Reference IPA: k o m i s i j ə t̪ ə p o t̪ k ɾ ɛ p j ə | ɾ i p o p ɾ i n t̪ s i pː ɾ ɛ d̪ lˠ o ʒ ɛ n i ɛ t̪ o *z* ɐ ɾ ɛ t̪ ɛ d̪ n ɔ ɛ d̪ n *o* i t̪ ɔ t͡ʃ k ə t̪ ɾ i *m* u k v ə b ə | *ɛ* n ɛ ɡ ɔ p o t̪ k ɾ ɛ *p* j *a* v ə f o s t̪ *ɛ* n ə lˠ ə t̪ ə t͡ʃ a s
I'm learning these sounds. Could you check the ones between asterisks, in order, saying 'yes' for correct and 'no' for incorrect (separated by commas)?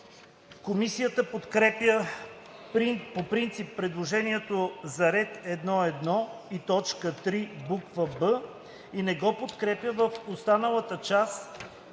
yes, no, no, no, yes, no, no